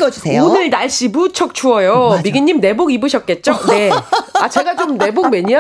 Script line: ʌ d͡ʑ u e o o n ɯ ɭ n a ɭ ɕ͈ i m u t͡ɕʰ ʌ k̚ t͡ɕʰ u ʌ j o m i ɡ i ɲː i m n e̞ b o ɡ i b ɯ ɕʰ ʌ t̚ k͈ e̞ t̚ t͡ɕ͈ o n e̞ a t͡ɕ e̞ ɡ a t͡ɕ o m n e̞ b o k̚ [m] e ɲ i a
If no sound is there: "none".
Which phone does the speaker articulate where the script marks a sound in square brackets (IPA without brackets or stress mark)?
m